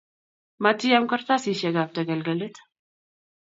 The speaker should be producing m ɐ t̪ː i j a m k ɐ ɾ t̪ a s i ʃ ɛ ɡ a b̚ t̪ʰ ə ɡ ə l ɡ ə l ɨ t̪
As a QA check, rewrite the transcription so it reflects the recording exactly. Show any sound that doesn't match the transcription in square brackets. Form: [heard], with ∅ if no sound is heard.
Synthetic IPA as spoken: m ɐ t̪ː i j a m k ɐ ɾ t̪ a s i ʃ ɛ ɡ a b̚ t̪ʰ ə ɡ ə l ɡ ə l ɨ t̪